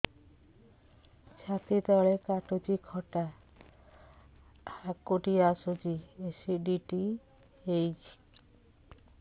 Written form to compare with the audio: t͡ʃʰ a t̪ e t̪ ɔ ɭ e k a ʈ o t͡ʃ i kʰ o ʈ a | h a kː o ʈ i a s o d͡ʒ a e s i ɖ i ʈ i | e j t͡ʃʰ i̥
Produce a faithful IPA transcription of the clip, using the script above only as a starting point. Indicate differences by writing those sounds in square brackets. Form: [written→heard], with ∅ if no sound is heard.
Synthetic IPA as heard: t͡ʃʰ a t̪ [e→i] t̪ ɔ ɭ e k a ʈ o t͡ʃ i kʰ [o→ɔ] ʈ a | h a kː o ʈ i a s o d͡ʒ [a→i] e s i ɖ i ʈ i | e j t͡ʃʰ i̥